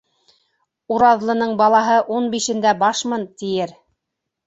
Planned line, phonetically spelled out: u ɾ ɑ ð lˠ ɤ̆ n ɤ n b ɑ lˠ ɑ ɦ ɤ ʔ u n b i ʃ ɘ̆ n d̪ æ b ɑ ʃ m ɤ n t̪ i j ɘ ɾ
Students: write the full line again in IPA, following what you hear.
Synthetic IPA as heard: u ɾ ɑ ð lˠ ɤ̆ n ɤ ɴ b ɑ lˠ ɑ ɦ ɤ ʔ u n b i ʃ ɘ̆ n d̪ æ b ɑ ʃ m ɤ n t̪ i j ɘ ɾ

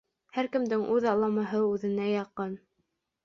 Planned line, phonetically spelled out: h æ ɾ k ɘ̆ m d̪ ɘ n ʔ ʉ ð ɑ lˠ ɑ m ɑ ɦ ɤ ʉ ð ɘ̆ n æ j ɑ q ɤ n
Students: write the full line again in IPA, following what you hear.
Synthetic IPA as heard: h æ ɾ k ɘ̆ m d̪ ɘ ŋ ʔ ʉ ð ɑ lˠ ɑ m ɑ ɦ ɤ ʉ ð ɘ̆ n æ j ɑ q ɤ n

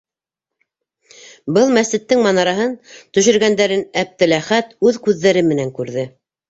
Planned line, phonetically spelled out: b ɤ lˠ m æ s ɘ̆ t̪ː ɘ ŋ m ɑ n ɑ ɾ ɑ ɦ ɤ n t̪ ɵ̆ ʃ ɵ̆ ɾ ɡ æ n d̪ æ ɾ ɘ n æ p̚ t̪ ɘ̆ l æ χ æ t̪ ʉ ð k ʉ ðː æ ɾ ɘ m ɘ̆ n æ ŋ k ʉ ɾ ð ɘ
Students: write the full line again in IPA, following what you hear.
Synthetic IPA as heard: b ɤ lˠ m æ s ɘ̆ t̪ː ɘ ŋ m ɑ n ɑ ɾ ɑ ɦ ɤ n t̪ ɵ̆ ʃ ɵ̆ ɾ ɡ æ n d̪ æ ɾ ɘ n æ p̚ t̪ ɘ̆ l æ χ æ t̪ ʉ ð k ʉ ðː æ ɾ ɘ m ɘ̆ n æ ŋ k ʉ ɾ ð ɘ

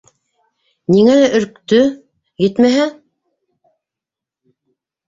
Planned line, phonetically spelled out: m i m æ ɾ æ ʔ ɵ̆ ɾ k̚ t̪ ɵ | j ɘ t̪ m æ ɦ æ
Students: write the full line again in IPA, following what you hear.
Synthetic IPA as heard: n i ŋ æ l æ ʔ ɵ̆ ɾ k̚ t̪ ɵ | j ɘ t̪ m æ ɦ æ

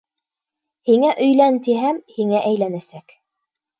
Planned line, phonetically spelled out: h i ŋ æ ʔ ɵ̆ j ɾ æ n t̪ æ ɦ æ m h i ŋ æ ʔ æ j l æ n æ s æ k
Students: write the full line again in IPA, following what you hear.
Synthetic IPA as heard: h i ŋ æ ʔ ɵ̆ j l æ n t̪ i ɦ æ m h i ŋ æ ʔ æ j l æ n æ s æ k

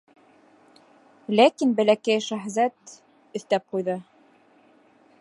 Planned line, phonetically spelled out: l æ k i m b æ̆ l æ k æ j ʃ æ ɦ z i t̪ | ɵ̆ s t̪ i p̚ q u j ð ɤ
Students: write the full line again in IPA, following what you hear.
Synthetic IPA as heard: l æ k i n b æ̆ l æ k æ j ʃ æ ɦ z æ t̪ | ɵ̆ θ t̪ æ p̚ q u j ð ɤ

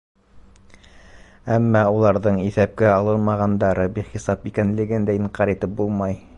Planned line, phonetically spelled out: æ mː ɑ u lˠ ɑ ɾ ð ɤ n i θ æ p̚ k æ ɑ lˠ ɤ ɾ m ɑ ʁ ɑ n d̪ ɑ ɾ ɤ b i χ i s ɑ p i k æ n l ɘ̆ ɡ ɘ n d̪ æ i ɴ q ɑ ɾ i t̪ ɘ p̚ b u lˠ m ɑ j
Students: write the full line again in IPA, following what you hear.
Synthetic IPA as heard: æ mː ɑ u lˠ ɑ ɾ ð ɤ ɴ i θ æ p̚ k æ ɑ lˠ ɤ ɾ m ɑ ʁ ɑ n d̪ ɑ ɾ ɤ b i χ i s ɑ p i k æ n l ɘ̆ ɡ ɘ n d̪ æ i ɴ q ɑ ɾ i t̪ ɘ p̚ b u lˠ m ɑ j

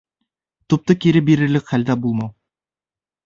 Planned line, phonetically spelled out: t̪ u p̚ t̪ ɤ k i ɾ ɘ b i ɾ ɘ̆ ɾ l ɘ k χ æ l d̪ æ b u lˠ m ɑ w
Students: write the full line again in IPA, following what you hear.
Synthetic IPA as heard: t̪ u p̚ t̪ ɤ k i ɾ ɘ b i ɾ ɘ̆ ɾ l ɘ k χ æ l d̪ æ b u lˠ m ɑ w

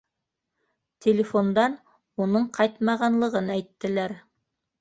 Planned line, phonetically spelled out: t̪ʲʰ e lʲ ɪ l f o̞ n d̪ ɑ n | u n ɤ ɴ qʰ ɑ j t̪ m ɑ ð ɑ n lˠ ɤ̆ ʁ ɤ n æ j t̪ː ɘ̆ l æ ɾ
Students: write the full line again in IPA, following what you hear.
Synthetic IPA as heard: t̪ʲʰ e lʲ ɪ f o̞ n d̪ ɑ n | u n ɤ ɴ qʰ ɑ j t̪ m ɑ ʁ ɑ n lˠ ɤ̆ ʁ ɤ n æ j t̪ː ɘ̆ l æ ɾ

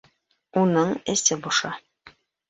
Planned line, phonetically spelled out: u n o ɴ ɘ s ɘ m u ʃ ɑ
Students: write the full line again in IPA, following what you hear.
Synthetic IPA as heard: u n ɤ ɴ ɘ s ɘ b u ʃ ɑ

